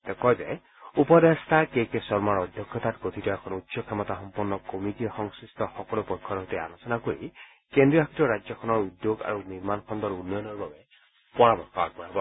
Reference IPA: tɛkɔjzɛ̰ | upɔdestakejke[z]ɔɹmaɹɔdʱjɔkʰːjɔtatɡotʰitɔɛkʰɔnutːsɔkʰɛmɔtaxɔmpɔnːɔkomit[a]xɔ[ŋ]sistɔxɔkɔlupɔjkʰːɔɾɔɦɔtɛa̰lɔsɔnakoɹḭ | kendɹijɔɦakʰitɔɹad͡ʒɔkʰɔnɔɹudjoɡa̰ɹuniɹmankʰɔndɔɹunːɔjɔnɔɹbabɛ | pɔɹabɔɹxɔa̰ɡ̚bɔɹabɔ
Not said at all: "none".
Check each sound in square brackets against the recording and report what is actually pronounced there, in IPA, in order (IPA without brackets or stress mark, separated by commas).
s, i, ŋ